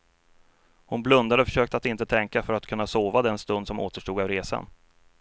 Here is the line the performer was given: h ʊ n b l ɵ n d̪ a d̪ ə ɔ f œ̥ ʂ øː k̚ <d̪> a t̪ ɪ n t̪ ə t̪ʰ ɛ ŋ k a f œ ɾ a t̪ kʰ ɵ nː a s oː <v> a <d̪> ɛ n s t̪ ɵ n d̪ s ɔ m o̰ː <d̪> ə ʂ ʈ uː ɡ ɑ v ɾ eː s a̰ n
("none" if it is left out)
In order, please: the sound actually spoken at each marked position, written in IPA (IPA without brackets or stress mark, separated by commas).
t̪, v, d̪, t̪